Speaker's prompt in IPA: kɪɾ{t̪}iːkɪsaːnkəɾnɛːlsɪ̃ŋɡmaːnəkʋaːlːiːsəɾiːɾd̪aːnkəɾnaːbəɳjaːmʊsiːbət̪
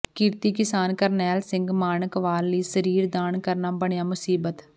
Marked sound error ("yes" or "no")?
no